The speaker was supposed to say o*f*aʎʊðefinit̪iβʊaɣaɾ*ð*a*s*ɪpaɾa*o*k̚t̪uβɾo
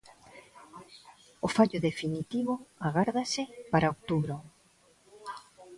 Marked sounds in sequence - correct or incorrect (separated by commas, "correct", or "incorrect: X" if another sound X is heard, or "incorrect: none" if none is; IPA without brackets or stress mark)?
correct, correct, correct, correct